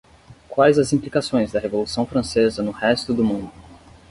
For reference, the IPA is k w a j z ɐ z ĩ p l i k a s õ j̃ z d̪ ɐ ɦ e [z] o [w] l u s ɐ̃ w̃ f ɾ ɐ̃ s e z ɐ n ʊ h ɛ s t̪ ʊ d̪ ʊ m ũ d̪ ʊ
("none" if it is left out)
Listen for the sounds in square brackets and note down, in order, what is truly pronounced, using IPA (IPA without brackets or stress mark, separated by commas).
v, none